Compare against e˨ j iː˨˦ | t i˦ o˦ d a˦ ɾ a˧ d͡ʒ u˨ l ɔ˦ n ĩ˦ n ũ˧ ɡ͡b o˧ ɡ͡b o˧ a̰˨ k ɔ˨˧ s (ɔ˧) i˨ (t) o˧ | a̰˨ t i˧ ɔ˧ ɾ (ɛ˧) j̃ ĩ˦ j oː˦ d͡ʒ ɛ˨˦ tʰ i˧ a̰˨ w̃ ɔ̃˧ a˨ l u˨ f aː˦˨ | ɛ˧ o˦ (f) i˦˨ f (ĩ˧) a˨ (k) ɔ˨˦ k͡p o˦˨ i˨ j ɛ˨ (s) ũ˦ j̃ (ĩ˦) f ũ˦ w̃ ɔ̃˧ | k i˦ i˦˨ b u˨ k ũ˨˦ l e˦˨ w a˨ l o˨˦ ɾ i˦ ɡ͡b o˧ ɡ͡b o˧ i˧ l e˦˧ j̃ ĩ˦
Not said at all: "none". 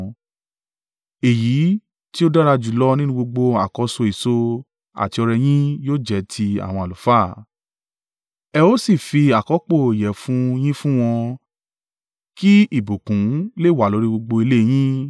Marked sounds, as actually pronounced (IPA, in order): o˧, s, ɛ˧, s, i˧, k, f, ĩ˦

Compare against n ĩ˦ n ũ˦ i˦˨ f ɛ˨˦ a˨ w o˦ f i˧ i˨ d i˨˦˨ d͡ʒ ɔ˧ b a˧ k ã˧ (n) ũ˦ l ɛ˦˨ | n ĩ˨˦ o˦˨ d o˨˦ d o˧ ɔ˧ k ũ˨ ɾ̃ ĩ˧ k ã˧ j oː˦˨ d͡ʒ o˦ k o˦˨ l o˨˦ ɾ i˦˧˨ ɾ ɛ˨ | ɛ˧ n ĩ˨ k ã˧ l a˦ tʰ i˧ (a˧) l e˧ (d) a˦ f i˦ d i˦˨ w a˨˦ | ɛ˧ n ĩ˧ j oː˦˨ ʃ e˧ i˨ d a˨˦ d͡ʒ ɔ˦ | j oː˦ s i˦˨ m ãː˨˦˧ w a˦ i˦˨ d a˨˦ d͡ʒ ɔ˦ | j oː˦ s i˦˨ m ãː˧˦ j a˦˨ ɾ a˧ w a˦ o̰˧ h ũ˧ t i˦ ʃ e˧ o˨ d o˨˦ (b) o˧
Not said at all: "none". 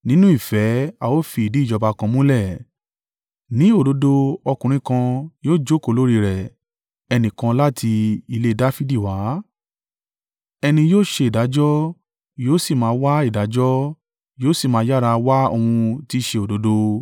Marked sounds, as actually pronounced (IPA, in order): m, i˧, d, d

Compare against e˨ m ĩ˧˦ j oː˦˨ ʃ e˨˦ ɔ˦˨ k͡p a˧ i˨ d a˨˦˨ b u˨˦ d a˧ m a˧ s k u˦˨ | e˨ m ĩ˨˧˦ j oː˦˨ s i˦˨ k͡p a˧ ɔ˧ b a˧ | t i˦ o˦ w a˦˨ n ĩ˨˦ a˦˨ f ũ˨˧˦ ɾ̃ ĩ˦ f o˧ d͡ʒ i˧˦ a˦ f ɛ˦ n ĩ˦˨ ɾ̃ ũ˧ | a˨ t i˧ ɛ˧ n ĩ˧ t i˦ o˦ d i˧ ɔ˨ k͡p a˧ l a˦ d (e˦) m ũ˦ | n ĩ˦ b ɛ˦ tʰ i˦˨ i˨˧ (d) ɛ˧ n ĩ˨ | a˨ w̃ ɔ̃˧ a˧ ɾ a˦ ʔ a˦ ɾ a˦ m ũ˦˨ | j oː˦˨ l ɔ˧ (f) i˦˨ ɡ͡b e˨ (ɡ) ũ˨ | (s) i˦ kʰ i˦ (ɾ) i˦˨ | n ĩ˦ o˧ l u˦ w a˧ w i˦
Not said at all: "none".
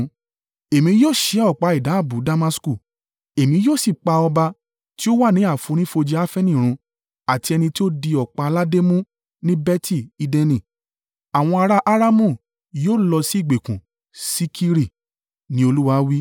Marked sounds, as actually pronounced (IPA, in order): e˦, d, s, k, s, ɾ

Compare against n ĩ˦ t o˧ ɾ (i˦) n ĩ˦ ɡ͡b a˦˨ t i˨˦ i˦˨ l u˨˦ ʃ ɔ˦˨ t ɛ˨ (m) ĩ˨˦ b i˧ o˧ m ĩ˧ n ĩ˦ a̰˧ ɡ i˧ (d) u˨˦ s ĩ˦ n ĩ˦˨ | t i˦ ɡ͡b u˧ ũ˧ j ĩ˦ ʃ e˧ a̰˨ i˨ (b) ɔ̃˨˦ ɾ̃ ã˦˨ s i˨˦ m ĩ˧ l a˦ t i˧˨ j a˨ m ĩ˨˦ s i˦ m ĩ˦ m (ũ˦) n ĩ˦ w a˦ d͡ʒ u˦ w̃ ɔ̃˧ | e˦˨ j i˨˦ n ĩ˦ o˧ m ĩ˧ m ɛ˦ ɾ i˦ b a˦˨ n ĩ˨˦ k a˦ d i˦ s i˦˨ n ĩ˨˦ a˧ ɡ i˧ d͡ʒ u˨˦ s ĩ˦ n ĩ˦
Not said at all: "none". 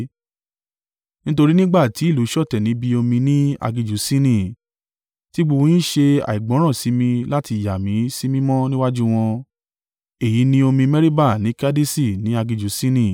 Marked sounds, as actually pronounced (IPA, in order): i˦, n, d͡ʒ, ɡ͡b, ɔ̃˦

